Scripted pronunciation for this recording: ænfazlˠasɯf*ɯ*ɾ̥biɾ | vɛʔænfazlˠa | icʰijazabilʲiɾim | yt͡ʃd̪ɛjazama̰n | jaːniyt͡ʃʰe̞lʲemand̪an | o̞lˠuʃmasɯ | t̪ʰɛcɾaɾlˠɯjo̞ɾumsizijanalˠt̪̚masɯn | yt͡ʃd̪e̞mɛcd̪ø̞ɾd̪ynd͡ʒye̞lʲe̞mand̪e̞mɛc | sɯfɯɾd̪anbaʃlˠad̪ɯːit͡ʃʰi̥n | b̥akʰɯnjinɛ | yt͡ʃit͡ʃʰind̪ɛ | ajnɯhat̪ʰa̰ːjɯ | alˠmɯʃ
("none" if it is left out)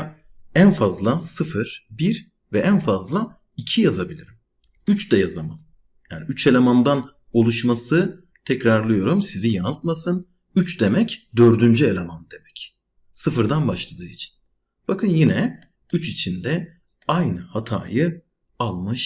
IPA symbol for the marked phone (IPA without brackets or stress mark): ɯ